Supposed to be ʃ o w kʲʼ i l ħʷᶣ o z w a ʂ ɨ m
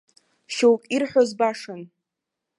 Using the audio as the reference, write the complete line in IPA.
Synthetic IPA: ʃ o w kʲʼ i r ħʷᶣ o z b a ʂ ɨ n